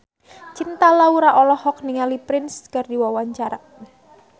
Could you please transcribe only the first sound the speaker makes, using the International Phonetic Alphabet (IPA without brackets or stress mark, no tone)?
t͡ʃ